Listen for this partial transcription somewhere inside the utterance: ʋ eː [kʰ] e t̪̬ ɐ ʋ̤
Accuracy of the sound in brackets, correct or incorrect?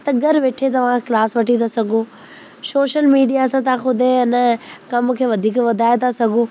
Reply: incorrect